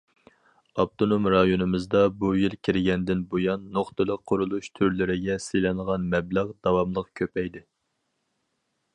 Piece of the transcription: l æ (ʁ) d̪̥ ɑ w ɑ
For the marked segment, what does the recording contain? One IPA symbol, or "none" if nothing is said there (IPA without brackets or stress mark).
ʁ